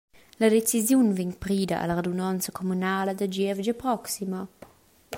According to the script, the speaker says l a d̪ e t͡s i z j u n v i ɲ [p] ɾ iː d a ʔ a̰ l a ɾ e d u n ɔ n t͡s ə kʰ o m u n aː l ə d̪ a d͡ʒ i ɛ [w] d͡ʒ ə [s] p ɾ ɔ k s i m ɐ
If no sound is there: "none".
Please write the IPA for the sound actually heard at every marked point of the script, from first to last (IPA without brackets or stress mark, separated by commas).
p, v, none